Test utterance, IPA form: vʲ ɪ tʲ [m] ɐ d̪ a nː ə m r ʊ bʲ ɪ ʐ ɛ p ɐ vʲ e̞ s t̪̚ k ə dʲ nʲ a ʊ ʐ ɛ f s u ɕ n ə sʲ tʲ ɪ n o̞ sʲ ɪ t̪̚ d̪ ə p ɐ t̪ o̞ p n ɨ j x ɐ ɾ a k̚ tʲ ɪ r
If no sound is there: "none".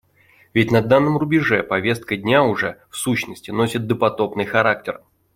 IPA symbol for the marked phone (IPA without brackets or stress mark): n